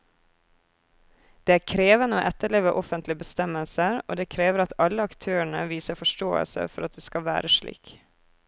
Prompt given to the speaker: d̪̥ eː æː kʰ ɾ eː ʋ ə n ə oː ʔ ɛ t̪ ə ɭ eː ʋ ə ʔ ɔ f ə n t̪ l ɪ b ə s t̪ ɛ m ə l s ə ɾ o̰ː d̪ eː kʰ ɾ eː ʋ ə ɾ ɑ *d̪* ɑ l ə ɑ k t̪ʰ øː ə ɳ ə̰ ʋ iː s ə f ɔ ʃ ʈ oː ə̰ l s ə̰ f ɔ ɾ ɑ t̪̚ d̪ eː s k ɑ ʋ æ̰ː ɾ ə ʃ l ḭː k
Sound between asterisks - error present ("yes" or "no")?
yes